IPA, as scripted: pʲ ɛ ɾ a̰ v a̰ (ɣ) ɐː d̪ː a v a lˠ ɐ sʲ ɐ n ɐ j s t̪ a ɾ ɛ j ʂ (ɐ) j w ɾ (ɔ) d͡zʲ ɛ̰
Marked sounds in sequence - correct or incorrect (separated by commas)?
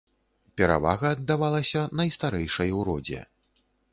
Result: correct, correct, correct